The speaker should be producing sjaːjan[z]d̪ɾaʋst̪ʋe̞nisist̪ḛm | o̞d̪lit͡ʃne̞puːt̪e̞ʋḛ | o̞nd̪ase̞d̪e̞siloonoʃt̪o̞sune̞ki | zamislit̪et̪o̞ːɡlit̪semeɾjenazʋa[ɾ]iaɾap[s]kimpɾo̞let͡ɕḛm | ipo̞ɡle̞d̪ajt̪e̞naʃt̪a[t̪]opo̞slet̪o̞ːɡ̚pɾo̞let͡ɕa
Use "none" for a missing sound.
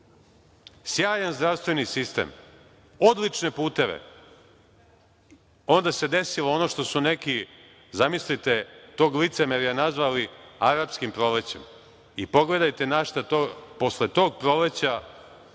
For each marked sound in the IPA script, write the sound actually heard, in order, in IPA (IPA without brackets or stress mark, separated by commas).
z, l, s, t̪